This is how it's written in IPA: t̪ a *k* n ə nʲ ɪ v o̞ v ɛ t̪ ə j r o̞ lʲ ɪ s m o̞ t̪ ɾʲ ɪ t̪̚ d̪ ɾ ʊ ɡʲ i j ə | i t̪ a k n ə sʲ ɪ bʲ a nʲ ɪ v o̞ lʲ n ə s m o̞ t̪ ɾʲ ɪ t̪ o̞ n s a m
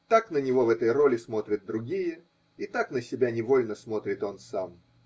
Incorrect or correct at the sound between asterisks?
correct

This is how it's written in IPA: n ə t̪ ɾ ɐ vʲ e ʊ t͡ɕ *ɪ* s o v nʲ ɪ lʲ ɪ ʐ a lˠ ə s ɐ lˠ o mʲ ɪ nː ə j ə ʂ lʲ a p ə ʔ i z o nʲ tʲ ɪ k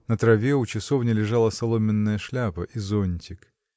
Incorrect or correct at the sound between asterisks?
correct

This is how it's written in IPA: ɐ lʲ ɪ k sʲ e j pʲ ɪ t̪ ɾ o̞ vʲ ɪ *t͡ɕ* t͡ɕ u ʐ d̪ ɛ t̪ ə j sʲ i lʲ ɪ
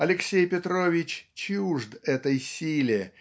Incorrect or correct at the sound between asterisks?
correct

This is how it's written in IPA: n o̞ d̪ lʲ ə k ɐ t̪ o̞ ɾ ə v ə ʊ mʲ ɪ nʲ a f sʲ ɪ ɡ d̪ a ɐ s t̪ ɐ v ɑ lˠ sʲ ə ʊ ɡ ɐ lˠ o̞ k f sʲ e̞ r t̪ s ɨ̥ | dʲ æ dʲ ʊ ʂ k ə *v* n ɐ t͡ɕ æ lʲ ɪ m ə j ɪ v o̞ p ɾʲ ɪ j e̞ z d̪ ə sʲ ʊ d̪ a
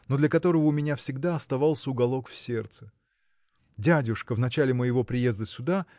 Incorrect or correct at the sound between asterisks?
correct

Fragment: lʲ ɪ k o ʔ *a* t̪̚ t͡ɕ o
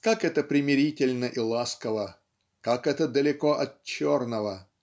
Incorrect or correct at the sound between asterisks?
incorrect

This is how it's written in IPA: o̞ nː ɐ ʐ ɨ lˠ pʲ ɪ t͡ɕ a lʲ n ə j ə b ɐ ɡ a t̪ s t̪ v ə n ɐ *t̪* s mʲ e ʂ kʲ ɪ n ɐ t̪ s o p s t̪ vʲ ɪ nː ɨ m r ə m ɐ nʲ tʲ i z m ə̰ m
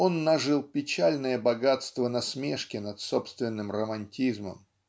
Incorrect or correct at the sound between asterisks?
incorrect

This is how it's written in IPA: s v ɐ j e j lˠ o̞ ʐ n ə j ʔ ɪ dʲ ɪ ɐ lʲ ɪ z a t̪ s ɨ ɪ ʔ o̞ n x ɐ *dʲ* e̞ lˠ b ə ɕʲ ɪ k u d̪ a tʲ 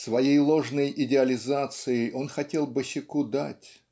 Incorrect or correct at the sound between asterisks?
incorrect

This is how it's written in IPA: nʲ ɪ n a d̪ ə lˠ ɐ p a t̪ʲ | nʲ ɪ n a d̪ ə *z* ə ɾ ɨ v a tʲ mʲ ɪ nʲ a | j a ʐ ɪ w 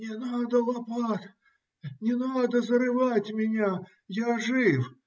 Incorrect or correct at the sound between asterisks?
correct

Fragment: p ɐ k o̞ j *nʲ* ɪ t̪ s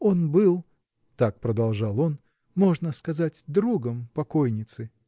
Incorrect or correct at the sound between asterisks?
correct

